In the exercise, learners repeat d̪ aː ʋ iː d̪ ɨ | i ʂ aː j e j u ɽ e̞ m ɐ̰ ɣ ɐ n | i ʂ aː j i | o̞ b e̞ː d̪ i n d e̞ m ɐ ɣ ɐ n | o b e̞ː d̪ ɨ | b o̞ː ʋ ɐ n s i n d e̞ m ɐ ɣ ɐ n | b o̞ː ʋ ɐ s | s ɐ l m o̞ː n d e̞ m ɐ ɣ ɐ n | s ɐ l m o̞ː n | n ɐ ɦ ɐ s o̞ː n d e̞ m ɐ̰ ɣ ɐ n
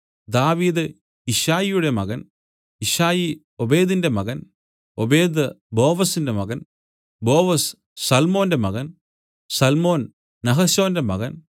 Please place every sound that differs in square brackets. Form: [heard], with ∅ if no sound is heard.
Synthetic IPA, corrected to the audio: d̪ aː ʋ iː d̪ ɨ | i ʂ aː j [i] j u ɽ e̞ m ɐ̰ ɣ ɐ n | i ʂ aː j i | o̞ b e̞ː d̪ i n d e̞ m ɐ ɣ ɐ n | o b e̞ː d̪ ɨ | b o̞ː ʋ ɐ [∅] s i n d e̞ m ɐ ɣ ɐ n | b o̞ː ʋ ɐ s | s ɐ l m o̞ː n d e̞ m ɐ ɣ ɐ n | s ɐ l m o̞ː n | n ɐ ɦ ɐ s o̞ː n d e̞ m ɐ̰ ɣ ɐ n